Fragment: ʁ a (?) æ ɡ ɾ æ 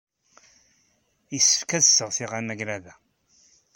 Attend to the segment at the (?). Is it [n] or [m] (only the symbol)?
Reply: n